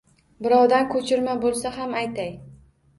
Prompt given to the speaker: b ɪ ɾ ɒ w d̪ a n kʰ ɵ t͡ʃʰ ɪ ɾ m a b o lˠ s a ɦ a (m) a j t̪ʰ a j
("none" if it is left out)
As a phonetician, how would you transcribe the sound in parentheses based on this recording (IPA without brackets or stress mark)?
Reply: m